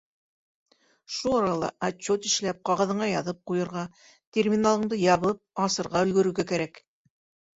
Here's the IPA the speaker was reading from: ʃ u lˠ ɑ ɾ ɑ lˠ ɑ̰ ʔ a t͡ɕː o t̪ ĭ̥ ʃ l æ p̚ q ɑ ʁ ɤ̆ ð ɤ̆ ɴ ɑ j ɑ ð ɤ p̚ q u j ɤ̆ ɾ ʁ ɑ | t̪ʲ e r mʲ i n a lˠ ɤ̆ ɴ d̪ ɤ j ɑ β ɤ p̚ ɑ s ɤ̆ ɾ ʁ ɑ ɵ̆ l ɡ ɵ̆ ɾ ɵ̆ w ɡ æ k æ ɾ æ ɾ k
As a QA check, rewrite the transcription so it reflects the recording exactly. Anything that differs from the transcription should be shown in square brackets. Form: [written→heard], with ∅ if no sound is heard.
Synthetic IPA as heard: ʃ u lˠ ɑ ɾ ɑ lˠ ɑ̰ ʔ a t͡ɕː o t̪ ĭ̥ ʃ l æ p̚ q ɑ ʁ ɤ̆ ð ɤ̆ ɴ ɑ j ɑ ð ɤ p̚ q u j ɤ̆ ɾ ʁ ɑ | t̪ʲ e r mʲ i n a lˠ ɤ̆ ɴ d̪ ɤ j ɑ β ɤ p̚ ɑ s ɤ̆ ɾ ʁ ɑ ɵ̆ l ɡ ɵ̆ ɾ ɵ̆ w ɡ æ k æ ɾ æ [ɾ→∅] k

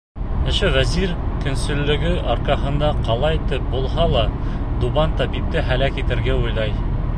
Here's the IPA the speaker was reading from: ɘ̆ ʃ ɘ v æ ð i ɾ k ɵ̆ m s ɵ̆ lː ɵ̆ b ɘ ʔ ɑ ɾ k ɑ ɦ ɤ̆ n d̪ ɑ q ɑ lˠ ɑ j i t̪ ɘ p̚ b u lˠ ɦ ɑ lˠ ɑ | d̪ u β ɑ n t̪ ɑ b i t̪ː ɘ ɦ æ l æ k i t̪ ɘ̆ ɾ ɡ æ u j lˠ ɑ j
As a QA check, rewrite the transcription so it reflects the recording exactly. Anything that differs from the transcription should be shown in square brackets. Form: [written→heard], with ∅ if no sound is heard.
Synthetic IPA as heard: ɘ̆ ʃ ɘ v æ [ð→z] i ɾ k ɵ̆ [m→n] s ɵ̆ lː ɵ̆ [b→ɡ] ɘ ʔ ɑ ɾ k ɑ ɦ ɤ̆ n d̪ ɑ q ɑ lˠ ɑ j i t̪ ɘ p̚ b u lˠ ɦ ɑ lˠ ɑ | d̪ u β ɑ n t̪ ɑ b i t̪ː ɘ ɦ æ l æ k i t̪ ɘ̆ ɾ ɡ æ u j lˠ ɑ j

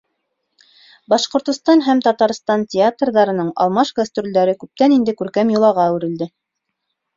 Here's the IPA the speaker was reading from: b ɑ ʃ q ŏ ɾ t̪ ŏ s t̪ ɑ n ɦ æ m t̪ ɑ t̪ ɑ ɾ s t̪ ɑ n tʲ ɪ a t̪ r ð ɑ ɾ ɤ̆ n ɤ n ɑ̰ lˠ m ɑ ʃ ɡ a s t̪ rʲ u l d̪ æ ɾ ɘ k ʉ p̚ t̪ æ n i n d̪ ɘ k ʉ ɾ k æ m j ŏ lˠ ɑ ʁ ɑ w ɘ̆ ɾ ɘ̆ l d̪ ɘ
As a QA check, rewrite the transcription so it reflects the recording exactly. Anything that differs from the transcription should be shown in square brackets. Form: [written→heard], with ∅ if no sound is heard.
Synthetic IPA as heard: b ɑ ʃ q ŏ ɾ t̪ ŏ s t̪ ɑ n ɦ æ m t̪ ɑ t̪ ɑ ɾ s t̪ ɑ n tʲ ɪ a t̪ r ð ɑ ɾ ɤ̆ n ɤ [n→ɴ] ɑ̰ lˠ m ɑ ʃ ɡ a s t̪ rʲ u l d̪ æ ɾ ɘ k ʉ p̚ t̪ æ n i n d̪ ɘ k ʉ ɾ k æ m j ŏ lˠ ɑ ʁ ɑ w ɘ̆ ɾ ɘ̆ l d̪ ɘ

